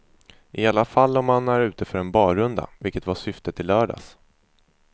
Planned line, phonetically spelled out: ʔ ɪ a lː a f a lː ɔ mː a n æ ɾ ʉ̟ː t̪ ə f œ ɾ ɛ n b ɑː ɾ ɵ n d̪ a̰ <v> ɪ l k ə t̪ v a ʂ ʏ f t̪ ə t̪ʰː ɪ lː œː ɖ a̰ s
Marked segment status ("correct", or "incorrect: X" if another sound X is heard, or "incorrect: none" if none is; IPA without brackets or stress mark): correct